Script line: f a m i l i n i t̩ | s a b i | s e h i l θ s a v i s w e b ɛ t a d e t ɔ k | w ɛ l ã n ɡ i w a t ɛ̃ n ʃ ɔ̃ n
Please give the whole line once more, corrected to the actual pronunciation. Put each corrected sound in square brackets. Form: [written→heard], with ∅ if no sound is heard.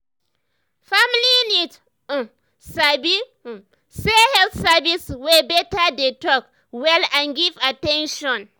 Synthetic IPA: f a m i l i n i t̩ | s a b i | s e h [i→ɛ] l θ s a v i s w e b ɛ t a d e t ɔ k | w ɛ l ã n ɡ i [w→v] a t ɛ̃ n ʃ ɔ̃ n

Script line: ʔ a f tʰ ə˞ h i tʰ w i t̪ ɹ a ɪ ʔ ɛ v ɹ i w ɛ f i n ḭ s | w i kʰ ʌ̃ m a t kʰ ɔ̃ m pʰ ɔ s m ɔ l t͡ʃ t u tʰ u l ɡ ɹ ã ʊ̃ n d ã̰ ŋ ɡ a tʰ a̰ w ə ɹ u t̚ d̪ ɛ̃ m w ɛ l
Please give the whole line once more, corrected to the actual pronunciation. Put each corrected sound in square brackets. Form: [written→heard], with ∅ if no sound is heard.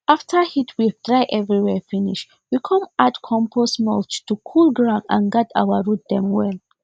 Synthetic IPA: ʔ a f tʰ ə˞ h i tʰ w i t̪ ɹ a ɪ ʔ ɛ v ɹ i w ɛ f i n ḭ [s→ʃ] | w i kʰ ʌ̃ m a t kʰ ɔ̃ m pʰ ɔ s m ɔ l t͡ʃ t u [tʰ→kʰ] u l ɡ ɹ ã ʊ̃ n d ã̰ [ŋ→n] ɡ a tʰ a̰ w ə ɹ u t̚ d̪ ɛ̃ m w ɛ l

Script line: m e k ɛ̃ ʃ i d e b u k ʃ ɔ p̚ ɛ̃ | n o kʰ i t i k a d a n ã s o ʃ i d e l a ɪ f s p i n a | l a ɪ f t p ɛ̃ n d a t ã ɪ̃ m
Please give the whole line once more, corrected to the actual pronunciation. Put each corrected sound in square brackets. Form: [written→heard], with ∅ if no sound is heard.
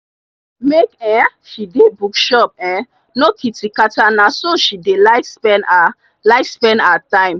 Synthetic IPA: m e k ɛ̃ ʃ i d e b u k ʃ ɔ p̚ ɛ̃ | n o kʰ i t i k a [d→t] a n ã s o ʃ i d e l a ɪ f s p [i→ɛ] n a | l a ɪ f [t→s] p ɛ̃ n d a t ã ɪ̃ m

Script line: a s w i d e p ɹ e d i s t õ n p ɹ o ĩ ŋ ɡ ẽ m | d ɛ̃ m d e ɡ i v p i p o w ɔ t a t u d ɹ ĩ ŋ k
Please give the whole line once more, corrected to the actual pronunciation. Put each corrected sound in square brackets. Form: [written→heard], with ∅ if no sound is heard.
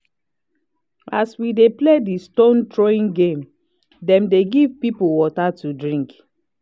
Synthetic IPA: a s w i d e p [ɹ→l] e d i s t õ n [p→t] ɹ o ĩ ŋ ɡ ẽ m | d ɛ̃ m d e ɡ i v p i p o w ɔ t a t u d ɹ ĩ ŋ k

